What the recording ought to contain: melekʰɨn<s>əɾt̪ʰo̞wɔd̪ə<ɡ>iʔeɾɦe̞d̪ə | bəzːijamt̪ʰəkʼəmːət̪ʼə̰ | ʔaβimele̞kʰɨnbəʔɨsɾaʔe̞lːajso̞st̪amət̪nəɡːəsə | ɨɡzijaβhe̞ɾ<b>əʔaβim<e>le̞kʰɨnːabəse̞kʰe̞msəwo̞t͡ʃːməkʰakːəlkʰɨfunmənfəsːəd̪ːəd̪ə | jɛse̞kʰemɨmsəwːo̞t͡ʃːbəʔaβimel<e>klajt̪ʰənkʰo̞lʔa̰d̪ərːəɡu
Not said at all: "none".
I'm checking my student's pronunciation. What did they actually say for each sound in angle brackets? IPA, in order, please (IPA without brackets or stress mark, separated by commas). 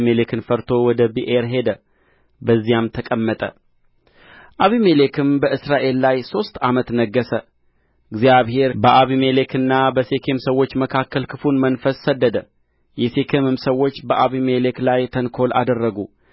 f, b, b, e, e